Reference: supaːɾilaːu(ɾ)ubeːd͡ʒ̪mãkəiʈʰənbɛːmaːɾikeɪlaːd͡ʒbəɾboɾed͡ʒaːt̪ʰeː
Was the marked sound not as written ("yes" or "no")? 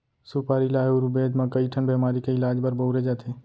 no